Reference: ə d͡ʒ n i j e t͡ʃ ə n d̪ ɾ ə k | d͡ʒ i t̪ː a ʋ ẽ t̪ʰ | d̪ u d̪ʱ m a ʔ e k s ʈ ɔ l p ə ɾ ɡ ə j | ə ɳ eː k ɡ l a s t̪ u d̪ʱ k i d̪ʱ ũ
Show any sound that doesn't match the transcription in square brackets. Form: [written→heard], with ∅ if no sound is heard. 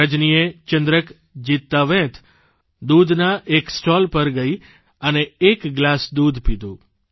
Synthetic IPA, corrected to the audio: ə d͡ʒ n i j e t͡ʃ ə n d̪ ɾ ə k | d͡ʒ i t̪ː a ʋ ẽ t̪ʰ | d̪ u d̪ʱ [m→n] a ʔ e k s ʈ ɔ l p ə ɾ ɡ ə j | ə [ɳ→n] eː k ɡ l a s [t̪→d̪] u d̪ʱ [k→p] i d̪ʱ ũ